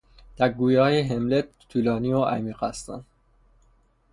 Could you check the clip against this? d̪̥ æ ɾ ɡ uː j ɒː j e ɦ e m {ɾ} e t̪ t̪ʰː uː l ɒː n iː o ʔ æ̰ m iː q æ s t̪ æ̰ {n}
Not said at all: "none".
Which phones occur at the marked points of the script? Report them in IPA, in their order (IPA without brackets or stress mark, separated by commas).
l, n